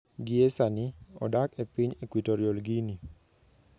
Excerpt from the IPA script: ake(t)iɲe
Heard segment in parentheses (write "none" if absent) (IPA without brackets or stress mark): p